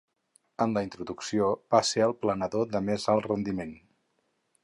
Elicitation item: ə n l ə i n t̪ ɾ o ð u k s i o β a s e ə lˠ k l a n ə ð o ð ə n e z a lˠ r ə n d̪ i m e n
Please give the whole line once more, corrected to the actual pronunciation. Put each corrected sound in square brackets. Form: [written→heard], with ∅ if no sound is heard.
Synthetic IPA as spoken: ə n l ə i n t̪ ɾ [o→u] ð u k s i o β a s e ə lˠ [k→p] l [a→ə] n ə ð o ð ə [n→m] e z a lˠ r ə n d̪ i m e n